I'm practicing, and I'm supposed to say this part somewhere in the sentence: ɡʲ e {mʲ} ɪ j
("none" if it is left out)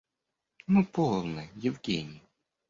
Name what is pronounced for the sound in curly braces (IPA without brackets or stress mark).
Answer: nʲ